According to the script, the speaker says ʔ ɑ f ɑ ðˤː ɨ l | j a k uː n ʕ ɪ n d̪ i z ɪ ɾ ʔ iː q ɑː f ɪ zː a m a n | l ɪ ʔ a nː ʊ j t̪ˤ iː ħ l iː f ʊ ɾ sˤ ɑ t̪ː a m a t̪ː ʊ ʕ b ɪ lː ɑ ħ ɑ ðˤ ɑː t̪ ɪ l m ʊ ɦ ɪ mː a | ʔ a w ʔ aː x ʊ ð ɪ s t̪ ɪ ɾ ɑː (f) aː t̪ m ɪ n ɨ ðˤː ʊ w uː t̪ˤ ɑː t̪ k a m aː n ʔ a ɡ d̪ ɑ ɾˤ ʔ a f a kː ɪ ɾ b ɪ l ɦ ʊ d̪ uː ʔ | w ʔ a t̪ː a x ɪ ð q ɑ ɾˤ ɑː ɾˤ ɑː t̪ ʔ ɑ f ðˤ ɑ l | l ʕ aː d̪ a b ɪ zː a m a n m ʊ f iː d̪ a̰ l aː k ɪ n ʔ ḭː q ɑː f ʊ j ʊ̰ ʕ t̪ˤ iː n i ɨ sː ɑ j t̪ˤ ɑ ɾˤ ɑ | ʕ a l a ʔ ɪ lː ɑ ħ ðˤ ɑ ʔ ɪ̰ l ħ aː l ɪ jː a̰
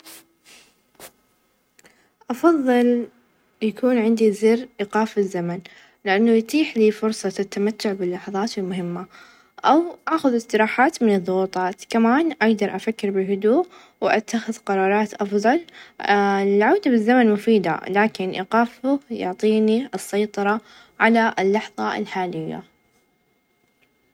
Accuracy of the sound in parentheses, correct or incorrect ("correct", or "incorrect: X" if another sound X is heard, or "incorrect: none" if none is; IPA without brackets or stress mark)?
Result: incorrect: ħ